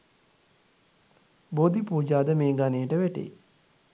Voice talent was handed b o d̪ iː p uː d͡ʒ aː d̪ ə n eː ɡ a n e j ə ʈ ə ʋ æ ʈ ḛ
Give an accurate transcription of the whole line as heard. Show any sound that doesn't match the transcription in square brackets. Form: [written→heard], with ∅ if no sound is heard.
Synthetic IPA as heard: b o d̪ [iː→i] p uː d͡ʒ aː d̪ ə [n→m] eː ɡ a n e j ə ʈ ə ʋ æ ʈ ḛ